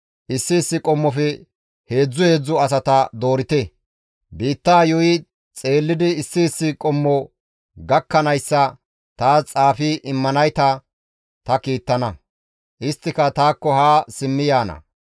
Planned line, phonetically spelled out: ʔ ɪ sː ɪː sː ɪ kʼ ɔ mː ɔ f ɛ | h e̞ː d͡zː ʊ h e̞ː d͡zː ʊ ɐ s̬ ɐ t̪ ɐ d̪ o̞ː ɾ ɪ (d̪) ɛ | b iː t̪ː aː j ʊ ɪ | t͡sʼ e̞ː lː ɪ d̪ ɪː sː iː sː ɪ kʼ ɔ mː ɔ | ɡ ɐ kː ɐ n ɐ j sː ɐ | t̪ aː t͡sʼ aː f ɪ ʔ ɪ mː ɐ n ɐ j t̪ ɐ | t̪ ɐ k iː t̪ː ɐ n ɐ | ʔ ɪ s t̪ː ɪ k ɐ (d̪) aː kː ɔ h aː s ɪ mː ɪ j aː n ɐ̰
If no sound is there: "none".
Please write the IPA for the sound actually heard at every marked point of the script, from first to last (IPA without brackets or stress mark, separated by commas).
t̪, t̪